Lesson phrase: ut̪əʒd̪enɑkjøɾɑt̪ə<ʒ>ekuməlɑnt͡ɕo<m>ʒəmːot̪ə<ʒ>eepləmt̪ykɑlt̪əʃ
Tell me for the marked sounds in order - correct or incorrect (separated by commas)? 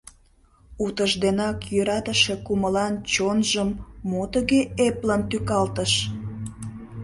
incorrect, incorrect, incorrect